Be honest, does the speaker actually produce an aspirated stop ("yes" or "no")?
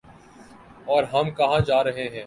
no